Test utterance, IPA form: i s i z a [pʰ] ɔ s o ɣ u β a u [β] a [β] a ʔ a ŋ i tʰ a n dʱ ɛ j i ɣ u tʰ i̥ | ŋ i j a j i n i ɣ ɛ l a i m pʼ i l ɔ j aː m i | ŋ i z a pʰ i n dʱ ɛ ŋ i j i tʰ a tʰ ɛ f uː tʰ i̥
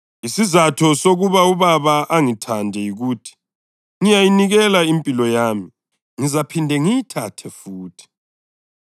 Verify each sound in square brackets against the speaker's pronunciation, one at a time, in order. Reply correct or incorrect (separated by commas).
incorrect, correct, correct